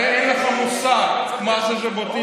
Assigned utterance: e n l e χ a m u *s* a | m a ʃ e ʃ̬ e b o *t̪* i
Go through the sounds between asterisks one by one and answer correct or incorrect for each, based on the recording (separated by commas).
correct, correct